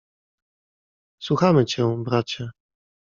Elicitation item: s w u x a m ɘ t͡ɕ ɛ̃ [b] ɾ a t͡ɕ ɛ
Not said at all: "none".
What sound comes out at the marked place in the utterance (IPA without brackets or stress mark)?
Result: b